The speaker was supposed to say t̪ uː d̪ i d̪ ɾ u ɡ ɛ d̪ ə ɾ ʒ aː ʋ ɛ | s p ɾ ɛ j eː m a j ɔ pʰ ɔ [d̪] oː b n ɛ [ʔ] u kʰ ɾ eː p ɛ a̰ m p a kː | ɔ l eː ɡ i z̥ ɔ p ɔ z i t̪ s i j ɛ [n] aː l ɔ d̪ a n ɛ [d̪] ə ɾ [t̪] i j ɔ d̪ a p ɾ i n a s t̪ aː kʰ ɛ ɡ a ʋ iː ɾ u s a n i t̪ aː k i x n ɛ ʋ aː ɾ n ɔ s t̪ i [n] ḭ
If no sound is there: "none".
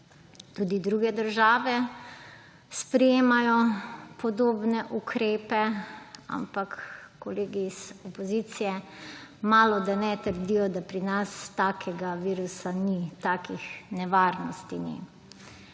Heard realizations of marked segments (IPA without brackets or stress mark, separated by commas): d̪, ʔ, m, t̪, d̪, n